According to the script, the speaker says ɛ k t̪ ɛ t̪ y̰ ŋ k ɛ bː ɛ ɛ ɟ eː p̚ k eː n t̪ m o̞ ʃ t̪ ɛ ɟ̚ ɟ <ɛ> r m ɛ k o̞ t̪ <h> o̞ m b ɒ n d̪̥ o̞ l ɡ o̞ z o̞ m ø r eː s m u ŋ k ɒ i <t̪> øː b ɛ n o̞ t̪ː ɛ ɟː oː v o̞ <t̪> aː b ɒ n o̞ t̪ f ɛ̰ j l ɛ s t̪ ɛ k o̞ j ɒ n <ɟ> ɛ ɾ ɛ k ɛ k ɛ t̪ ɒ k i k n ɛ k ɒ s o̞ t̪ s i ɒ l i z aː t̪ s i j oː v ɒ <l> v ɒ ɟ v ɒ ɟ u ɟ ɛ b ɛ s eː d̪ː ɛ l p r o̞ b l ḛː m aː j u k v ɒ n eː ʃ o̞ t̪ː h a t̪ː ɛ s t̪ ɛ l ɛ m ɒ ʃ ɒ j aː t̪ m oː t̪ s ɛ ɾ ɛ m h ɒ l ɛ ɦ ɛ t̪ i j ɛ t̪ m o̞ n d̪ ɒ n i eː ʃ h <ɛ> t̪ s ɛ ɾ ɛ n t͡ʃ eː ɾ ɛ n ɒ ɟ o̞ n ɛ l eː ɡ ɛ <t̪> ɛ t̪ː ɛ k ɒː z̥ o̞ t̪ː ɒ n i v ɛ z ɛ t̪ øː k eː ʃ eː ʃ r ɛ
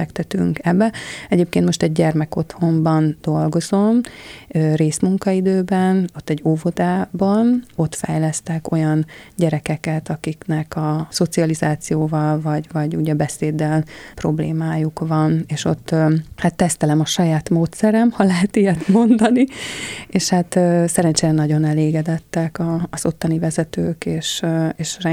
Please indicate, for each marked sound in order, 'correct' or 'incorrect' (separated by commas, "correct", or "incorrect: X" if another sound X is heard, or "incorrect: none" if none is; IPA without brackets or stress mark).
correct, correct, incorrect: d̪, incorrect: d̪, correct, correct, incorrect: a, incorrect: d̪